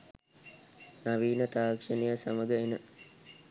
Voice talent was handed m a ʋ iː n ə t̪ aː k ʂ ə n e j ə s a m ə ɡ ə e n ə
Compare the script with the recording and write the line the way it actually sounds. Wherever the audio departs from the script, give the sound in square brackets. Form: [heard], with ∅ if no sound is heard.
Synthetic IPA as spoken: [n] a ʋ iː n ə t̪ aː k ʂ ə n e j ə s a m ə ɡ ə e n ə